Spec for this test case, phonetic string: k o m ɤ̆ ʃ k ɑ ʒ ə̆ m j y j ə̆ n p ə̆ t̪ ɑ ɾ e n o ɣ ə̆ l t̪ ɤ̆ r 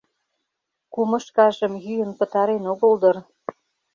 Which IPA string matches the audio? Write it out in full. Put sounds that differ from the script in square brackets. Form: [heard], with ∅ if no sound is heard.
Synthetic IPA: k [u] m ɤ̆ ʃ k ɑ ʒ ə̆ m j y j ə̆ n p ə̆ t̪ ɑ ɾ e n o ɣ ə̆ l [d̪] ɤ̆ r